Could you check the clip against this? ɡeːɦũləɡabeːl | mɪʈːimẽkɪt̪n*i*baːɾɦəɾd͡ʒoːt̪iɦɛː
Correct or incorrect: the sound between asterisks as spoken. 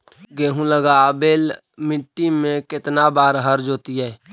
incorrect: a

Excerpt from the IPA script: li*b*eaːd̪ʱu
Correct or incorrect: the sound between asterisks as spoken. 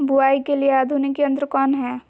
incorrect: none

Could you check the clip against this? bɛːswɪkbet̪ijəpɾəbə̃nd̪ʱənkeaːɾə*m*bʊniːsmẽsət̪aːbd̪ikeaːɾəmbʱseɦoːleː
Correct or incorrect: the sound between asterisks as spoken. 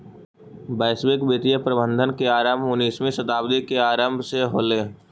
correct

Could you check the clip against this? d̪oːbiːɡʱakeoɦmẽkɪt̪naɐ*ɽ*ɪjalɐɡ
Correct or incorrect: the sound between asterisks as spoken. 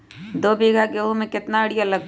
correct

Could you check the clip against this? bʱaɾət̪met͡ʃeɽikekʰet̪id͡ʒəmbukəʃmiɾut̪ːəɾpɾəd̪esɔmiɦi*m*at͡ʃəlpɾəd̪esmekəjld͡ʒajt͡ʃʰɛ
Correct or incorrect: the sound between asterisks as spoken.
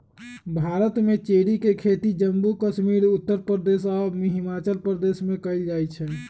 correct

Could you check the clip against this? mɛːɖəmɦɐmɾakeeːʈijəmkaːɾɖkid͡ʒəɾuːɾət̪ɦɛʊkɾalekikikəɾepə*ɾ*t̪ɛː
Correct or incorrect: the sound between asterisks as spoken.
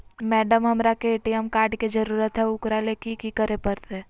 correct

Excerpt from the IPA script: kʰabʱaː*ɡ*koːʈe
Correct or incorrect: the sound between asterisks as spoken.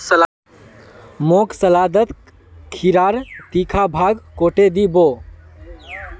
correct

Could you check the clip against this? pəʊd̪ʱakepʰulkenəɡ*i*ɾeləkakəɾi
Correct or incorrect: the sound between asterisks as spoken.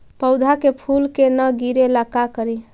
correct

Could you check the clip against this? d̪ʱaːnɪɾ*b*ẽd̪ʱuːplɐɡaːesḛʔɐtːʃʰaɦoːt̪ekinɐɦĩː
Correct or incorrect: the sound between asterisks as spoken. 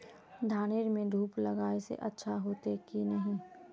incorrect: m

